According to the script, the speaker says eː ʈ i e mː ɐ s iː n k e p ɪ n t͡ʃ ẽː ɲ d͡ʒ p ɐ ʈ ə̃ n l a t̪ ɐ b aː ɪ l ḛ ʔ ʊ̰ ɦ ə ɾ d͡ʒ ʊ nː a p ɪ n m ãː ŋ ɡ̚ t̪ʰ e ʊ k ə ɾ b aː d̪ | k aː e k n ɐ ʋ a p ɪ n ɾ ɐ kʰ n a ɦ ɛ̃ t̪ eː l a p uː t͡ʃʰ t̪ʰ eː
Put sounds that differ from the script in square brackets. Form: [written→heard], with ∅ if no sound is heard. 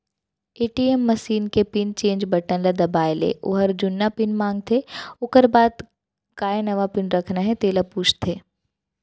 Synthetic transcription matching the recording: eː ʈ i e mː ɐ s iː n k e p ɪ n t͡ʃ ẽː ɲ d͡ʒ [p→b] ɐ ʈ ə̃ n l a [t̪→d̪] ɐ b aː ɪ l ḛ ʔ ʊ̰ ɦ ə ɾ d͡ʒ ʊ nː a p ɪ n m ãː ŋ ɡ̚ t̪ʰ e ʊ k ə ɾ b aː d̪ | k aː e [k→∅] n ɐ ʋ a p ɪ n ɾ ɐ kʰ n a ɦ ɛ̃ t̪ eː l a p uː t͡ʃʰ t̪ʰ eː

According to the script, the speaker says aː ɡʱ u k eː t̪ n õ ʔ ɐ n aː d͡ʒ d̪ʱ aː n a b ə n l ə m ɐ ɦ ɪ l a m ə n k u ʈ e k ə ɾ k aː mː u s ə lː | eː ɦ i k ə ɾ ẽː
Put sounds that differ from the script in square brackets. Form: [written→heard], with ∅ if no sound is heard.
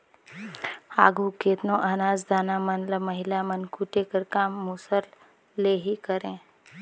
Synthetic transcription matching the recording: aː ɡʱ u k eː t̪ n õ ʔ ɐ n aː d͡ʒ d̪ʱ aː n a [b→m] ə n l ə m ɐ ɦ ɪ l a m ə n k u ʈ e k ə ɾ k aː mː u s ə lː | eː ɦ i k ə ɾ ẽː

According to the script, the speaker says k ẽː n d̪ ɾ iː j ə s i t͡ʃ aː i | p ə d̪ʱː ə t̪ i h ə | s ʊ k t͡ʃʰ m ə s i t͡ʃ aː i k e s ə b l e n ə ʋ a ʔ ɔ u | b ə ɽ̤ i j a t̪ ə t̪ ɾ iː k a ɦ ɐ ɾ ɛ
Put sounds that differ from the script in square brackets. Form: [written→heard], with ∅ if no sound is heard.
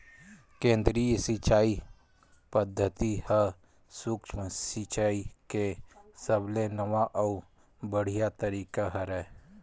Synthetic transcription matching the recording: k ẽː n d̪ ɾ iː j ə s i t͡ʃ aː i | p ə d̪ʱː ə t̪ i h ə | s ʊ k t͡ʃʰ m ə s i t͡ʃ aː i k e s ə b l e n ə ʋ a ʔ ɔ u | b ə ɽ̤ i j a t̪ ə [t̪→∅] ɾ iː k a ɦ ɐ ɾ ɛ

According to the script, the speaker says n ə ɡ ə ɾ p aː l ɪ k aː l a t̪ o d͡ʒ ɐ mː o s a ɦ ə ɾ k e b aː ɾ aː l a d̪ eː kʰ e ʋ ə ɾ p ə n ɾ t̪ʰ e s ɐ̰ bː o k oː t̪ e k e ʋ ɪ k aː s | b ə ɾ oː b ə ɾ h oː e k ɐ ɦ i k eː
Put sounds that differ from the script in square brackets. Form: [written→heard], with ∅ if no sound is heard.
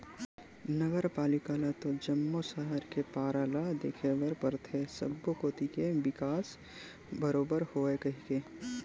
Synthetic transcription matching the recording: n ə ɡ ə ɾ p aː l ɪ k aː l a t̪ o d͡ʒ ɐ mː o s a ɦ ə ɾ k e [b→p] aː ɾ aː l a d̪ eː kʰ e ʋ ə ɾ p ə [n→∅] ɾ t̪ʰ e s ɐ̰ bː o k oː t̪ [e→i] k e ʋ ɪ k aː s | b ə ɾ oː b ə ɾ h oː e k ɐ ɦ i k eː

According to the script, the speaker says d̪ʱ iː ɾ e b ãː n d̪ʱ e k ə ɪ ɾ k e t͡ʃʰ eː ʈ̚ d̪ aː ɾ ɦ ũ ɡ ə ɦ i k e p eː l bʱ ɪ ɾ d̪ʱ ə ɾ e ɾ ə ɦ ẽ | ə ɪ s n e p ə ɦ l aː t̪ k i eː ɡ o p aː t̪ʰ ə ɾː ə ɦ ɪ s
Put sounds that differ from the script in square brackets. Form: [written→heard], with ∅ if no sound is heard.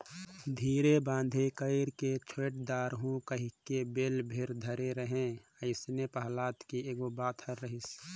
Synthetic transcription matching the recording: d̪ʱ iː ɾ e b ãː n d̪ʱ e k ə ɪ ɾ k e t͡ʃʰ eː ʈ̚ d̪ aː ɾ ɦ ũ [ɡ→k] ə ɦ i k e [p→b] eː l bʱ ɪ ɾ d̪ʱ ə ɾ e ɾ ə ɦ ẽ | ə ɪ s n e p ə ɦ l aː t̪ k i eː ɡ o [p→b] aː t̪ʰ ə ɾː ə ɦ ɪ s

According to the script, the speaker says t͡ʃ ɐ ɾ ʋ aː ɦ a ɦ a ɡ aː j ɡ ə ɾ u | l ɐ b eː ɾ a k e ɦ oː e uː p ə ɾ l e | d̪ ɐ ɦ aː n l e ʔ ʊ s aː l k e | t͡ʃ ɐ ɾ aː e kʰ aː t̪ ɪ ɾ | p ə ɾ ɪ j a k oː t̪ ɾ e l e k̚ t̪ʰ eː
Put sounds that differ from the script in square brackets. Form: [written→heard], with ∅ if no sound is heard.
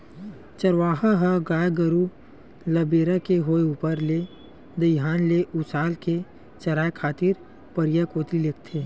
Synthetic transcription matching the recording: t͡ʃ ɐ ɾ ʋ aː ɦ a ɦ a ɡ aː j ɡ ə ɾ u | l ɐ b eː ɾ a k e ɦ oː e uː p ə ɾ l e | d̪ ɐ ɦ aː n l e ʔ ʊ s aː l k e | t͡ʃ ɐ ɾ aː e kʰ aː t̪ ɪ ɾ | p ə ɾ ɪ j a k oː t̪ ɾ [e→i] l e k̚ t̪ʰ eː

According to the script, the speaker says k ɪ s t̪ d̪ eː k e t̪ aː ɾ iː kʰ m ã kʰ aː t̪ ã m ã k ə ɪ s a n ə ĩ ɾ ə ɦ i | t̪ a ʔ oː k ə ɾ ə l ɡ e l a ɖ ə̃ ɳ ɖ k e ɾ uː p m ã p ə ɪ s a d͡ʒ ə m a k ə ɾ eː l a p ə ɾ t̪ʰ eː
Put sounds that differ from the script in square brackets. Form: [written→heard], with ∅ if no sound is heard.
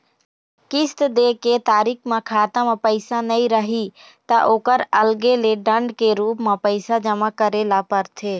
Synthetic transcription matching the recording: k ɪ s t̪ d̪ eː k e t̪ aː ɾ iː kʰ m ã kʰ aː t̪ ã m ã [k→p] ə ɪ s a n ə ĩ ɾ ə ɦ i | t̪ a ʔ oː k ə ɾ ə l ɡ e l [a→e] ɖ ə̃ ɳ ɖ k e ɾ uː p m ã p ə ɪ s a d͡ʒ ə m a k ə ɾ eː l a p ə ɾ t̪ʰ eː

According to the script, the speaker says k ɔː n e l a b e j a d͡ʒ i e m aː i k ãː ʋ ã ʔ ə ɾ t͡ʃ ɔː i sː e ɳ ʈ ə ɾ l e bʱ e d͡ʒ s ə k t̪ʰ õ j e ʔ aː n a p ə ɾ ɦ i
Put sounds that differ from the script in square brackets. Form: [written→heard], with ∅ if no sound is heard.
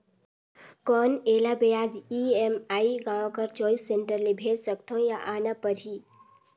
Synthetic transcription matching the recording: k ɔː n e l a b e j a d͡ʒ i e m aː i [k→ɡ] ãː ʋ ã [ʔ→k] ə ɾ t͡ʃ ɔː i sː e ɳ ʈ ə ɾ l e bʱ e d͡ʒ s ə k t̪ʰ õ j [e→a] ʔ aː n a p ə ɾ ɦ i

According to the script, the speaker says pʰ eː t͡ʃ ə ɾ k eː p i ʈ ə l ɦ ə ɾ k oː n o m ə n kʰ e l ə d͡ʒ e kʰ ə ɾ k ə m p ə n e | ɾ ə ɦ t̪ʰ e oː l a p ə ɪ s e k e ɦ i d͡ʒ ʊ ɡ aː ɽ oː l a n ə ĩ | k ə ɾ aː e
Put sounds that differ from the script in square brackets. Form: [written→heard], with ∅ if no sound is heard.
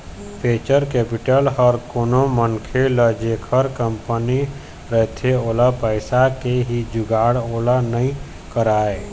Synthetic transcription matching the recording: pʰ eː t͡ʃ ə ɾ k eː p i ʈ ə l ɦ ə ɾ k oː n o m ə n kʰ e l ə d͡ʒ e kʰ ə ɾ k ə m p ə n [e→i] | ɾ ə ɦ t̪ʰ e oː l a p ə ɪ s [e→a] k e ɦ i d͡ʒ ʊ ɡ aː ɽ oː l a n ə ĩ | k ə ɾ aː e

